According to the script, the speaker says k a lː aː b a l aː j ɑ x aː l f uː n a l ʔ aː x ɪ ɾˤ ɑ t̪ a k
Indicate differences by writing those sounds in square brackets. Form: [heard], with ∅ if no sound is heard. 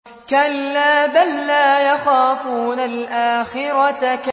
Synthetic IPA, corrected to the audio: k a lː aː b a [lː] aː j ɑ x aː [∅] f uː n a l ʔ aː x ɪ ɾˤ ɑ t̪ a k